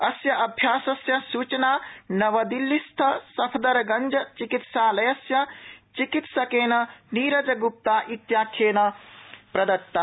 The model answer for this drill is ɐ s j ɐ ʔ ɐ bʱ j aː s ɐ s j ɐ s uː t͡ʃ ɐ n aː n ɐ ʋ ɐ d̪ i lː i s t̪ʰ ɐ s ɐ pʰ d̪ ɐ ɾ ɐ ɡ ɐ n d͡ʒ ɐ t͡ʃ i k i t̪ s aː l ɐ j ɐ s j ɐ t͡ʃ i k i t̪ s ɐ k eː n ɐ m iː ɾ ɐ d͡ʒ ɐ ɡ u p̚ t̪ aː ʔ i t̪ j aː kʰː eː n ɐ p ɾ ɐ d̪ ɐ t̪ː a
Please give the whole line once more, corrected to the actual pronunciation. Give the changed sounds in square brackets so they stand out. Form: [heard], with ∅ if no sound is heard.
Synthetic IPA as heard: ɐ s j ɐ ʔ ɐ bʱ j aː s ɐ s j ɐ s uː t͡ʃ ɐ n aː n ɐ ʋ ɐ d̪ i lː i s t̪ʰ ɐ s ɐ pʰ d̪ ɐ ɾ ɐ ɡ ɐ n d͡ʒ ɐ t͡ʃ i k i t̪ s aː l ɐ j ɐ s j ɐ t͡ʃ i k i t̪ s ɐ k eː n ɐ [n] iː ɾ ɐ d͡ʒ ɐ ɡ u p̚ t̪ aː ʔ i t̪ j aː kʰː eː n ɐ p ɾ ɐ d̪ ɐ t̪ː a